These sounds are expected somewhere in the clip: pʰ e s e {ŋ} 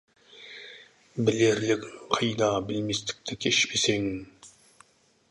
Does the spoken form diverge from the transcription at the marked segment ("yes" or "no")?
no